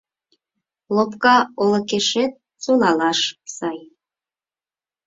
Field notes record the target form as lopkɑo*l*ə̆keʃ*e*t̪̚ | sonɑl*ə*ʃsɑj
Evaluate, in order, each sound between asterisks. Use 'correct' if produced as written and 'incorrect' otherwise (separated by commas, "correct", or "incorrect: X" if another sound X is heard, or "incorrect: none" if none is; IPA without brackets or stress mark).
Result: correct, correct, incorrect: ɑ